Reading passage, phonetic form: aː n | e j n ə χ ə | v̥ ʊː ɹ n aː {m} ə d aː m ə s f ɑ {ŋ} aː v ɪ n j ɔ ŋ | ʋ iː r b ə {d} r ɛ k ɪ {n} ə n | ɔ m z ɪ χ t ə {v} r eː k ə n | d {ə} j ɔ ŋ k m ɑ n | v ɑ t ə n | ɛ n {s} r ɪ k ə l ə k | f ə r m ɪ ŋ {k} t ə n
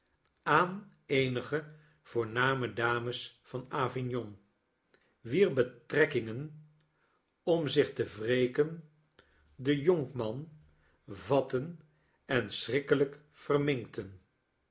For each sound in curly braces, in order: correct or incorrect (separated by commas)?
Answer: correct, incorrect, incorrect, incorrect, correct, correct, correct, correct